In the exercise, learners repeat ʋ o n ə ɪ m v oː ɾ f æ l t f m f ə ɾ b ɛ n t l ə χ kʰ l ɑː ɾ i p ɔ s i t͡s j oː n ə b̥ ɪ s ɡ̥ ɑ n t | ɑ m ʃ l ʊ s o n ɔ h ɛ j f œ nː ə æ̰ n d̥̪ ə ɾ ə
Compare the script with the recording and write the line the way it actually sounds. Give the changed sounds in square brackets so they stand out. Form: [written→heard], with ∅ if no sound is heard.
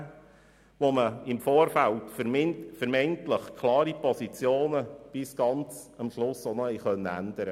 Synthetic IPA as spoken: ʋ o [n→m] ə ɪ m [v→f] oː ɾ f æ l t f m f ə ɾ [b→m] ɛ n t l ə χ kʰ l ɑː ɾ i p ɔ s i t͡s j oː n ə b̥ ɪ s ɡ̥ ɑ n [t→t͡s] | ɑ m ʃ l ʊ s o n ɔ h ɛ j [f→χ] œ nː ə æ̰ n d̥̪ ə ɾ ə

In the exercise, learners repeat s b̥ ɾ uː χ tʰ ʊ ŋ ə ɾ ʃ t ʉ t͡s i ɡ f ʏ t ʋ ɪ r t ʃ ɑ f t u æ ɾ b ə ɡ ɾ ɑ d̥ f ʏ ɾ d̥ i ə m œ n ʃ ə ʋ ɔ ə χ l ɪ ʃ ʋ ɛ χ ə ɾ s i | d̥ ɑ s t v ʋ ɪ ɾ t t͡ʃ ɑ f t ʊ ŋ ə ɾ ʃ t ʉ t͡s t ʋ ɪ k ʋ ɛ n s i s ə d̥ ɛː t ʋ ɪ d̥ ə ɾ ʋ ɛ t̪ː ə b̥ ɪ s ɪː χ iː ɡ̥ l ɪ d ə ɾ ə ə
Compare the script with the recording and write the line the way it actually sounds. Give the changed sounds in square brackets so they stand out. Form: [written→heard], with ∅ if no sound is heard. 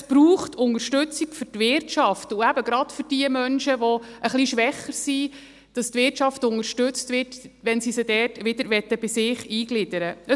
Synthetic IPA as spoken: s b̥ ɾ uː χ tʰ ʊ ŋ ə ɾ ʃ t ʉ t͡s i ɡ f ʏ t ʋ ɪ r t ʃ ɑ f t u æ [ɾ→∅] b ə ɡ ɾ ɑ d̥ f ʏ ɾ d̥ i ə m œ n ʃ ə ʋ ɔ ə χ l [ɪ→i] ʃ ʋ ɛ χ ə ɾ s i | d̥ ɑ s t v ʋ ɪ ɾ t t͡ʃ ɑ f t ʊ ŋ ə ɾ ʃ t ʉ t͡s t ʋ ɪ [k→t] ʋ ɛ n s i s ə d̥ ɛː t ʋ ɪ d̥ ə ɾ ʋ ɛ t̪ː ə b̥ ɪ s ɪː χ iː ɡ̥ l ɪ d ə ɾ ə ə

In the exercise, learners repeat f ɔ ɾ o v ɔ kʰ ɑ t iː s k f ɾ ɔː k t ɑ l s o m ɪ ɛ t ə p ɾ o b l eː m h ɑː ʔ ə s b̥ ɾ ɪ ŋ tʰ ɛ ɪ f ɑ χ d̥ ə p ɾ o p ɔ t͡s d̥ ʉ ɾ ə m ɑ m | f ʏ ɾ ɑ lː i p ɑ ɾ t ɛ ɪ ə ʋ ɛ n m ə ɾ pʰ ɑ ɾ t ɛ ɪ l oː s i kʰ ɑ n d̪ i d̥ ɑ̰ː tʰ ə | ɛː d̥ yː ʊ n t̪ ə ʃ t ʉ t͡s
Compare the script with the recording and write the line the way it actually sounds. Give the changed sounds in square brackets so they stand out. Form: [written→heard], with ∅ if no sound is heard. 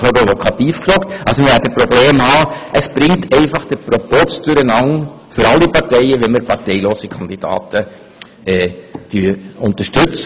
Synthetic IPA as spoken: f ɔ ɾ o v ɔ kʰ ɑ t iː [s→f] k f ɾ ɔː k t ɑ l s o m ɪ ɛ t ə p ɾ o b l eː m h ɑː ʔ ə s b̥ ɾ ɪ ŋ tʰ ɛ ɪ f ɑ χ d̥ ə p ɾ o p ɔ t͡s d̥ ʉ ɾ ə [m→n] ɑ [m→ŋ] | f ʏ ɾ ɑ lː i p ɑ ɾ t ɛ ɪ ə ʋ ɛ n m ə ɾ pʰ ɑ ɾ t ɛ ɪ l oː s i kʰ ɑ n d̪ i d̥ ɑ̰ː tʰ ə | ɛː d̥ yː ʊ n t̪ ə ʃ t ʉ t͡s

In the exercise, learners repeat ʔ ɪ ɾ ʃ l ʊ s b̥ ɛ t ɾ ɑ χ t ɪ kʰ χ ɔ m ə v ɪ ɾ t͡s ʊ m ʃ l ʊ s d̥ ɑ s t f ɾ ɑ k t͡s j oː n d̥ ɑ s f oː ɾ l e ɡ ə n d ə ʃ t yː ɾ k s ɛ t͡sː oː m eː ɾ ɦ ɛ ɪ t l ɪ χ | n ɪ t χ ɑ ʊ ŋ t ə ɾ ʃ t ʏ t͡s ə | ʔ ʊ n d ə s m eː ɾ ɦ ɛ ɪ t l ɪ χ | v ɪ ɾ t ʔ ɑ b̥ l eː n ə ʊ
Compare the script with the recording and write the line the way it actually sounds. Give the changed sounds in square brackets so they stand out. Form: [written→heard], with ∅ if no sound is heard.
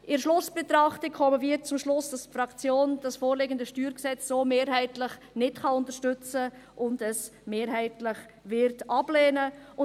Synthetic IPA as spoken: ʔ ɪ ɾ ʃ l ʊ s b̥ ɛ t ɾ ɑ χ t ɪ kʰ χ ɔ m ə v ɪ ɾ t͡s ʊ m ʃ l ʊ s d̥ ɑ s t f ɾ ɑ k t͡s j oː n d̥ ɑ s f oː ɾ l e ɡ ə n d ə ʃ t yː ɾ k s ɛ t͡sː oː m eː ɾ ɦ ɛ ɪ t l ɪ χ | n ɪ t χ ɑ ʊ [ŋ→n] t ə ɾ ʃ t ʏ t͡s ə | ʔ ʊ n d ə s m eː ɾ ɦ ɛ ɪ t l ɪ χ | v ɪ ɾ t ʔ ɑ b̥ l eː n ə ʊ

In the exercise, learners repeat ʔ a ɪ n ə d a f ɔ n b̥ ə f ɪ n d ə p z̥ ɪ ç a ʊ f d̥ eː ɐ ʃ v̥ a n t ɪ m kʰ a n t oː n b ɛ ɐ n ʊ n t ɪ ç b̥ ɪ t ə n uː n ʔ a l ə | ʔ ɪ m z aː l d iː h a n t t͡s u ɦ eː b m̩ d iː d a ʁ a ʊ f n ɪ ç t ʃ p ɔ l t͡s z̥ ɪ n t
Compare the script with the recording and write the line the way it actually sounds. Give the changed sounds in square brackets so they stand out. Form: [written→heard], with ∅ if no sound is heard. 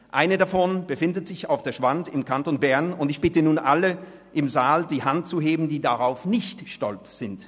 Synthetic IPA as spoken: ʔ a ɪ n ə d a f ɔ n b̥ ə f ɪ n d ə [p→t] z̥ ɪ ç a ʊ f d̥ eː ɐ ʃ v̥ a n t ɪ m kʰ a n t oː n b ɛ ɐ n ʊ n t ɪ ç b̥ ɪ t ə n uː n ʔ a l ə | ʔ ɪ m z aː l d iː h a n t t͡s u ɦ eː b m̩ d iː d a ʁ a ʊ f n ɪ ç t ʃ [p→t] ɔ l t͡s z̥ ɪ n t

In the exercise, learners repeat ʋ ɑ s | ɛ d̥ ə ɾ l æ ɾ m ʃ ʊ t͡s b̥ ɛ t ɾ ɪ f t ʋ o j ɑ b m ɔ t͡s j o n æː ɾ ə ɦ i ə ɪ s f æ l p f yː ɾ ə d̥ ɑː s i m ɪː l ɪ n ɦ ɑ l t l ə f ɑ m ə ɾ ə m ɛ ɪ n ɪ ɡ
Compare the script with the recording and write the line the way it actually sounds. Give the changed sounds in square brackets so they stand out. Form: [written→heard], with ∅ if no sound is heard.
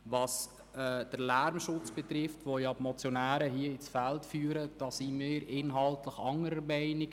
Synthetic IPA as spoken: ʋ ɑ s | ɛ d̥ ə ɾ l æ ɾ m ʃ ʊ t͡s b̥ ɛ t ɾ ɪ f t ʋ o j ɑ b m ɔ t͡s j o n æː ɾ ə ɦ i ə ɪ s f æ l [p→t] f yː ɾ ə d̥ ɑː s i m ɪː [l→ɾ] ɪ n ɦ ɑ l t l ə [f→χ] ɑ [m→ŋ] ə ɾ ə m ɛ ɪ n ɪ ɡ

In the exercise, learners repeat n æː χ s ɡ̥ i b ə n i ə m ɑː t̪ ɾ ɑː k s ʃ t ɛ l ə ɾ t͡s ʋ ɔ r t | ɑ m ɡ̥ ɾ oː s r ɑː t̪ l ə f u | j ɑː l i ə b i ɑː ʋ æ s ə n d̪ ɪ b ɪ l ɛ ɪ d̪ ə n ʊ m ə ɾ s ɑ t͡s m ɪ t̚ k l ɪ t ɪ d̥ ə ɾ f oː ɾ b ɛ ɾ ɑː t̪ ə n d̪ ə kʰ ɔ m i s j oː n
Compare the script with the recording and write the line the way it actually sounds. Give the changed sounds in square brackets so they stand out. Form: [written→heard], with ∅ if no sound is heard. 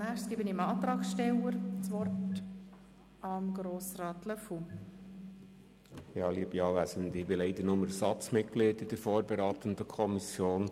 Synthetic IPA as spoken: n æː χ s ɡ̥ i b ə n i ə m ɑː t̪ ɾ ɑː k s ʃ t ɛ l ə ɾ t͡s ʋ ɔ r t | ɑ m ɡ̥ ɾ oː s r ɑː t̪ l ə f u | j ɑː l i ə b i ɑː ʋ æ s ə n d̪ ɪ b ɪ l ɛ ɪ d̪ ə n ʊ m ə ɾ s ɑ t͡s m ɪ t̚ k l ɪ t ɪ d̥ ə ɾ f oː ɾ b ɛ ɾ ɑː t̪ ə n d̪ ə kʰ ɔ m i s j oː n

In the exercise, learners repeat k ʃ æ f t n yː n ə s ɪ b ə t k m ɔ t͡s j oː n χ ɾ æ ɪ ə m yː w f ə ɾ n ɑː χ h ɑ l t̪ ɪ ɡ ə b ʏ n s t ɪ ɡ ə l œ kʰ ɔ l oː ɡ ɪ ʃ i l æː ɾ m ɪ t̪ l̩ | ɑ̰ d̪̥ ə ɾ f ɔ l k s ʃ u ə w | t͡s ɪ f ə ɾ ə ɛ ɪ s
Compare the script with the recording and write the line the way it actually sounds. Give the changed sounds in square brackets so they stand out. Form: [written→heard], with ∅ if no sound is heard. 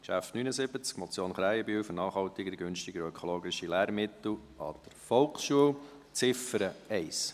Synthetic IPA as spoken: k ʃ æ f t n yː n ə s ɪ b ə [t→t͡s] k m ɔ t͡s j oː n χ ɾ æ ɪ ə [m→b] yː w f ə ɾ n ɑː χ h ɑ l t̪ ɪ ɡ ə [b→ɡ] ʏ n [s→ʃ] t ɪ ɡ ə [l→ɾ] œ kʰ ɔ l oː ɡ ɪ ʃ i l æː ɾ m ɪ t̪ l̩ | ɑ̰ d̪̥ ə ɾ f ɔ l k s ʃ u ə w | t͡s ɪ f ə ɾ ə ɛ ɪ s

